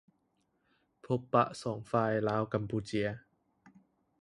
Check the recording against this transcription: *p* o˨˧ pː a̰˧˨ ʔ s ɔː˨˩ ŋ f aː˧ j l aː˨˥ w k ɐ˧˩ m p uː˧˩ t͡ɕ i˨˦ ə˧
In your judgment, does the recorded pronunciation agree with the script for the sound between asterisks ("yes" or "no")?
no